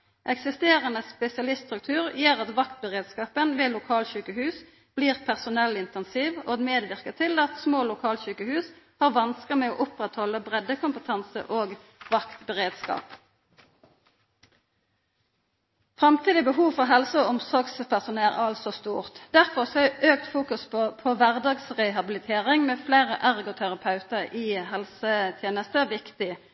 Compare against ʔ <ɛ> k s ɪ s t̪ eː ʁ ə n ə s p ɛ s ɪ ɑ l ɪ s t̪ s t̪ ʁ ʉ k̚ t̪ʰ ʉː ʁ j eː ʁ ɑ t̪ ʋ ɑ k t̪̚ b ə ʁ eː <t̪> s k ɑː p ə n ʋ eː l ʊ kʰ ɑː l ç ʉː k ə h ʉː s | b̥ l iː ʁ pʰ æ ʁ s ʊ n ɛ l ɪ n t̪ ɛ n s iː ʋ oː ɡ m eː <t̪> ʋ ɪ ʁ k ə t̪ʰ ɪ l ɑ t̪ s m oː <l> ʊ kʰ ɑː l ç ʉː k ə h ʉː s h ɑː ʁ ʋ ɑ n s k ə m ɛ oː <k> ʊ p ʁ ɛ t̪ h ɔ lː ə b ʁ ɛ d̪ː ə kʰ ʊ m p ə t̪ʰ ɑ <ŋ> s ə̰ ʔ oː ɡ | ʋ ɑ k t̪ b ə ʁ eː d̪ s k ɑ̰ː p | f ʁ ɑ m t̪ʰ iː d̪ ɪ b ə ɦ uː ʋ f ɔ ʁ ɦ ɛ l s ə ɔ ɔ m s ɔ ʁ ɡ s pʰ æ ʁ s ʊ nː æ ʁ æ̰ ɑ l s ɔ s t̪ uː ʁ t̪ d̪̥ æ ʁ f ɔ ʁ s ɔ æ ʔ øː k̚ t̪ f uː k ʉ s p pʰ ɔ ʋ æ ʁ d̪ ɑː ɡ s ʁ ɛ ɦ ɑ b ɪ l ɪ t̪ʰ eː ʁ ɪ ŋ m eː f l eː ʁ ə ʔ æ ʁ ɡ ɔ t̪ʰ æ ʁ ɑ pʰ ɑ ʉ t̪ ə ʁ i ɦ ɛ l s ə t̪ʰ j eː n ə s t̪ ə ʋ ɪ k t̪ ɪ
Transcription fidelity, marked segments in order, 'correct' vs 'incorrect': correct, incorrect: d̪, incorrect: d̪, correct, incorrect: ʔ, incorrect: n

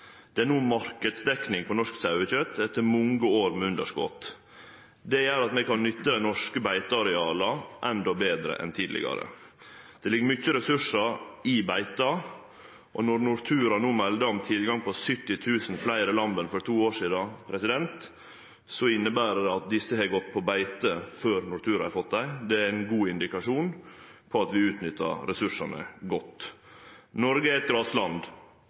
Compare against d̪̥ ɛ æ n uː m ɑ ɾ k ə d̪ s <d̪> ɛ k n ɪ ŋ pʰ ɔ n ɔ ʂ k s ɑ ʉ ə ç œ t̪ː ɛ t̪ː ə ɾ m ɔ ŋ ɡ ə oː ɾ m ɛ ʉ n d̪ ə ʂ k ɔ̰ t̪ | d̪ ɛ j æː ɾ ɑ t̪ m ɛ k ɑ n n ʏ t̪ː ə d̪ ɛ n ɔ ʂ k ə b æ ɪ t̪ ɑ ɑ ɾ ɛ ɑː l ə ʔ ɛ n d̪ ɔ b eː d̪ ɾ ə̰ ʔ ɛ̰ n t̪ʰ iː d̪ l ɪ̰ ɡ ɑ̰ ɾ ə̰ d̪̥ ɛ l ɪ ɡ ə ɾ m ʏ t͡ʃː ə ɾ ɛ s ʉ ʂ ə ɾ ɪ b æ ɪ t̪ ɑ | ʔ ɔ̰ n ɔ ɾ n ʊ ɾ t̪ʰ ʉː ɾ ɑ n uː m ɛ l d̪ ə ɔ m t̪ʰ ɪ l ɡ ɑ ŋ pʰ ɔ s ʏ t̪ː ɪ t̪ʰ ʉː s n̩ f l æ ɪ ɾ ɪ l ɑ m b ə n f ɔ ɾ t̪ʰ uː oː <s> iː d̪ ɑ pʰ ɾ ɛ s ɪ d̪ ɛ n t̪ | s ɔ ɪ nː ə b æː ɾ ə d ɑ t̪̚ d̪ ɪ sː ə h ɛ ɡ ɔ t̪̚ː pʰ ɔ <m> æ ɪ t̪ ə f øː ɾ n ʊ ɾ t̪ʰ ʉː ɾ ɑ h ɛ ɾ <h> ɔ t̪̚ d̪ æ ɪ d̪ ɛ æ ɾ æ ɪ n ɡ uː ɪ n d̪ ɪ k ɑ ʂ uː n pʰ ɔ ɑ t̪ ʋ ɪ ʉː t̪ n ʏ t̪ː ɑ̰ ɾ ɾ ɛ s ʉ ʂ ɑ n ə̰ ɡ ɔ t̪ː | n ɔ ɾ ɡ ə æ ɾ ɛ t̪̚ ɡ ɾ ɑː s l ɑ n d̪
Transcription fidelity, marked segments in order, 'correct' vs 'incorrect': correct, incorrect: ʂ, incorrect: b, incorrect: f

